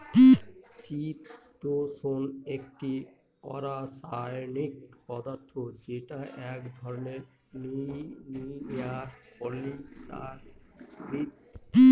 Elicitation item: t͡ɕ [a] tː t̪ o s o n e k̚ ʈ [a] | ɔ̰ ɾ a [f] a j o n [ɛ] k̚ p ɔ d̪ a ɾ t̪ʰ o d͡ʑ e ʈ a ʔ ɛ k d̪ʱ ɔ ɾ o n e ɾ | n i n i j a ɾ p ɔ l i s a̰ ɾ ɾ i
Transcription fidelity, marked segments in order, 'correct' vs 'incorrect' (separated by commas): incorrect, incorrect, incorrect, incorrect